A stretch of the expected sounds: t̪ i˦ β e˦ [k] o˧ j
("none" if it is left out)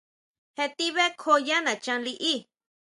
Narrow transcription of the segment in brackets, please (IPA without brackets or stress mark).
kʰ